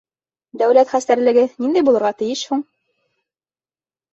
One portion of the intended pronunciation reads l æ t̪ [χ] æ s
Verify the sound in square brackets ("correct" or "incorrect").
correct